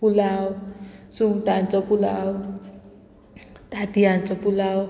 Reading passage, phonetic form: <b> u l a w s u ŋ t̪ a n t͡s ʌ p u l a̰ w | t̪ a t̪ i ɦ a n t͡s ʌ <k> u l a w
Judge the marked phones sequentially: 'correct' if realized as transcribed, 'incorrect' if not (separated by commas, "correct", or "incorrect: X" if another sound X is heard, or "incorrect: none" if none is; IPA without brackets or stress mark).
incorrect: p, incorrect: p